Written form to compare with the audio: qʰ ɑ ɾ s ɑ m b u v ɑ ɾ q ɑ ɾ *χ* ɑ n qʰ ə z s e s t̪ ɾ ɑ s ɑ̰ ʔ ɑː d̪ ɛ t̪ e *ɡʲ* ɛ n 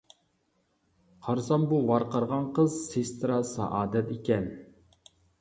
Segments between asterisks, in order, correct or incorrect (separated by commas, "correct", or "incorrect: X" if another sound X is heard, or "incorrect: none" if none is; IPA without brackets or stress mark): incorrect: ʁ, incorrect: kʲ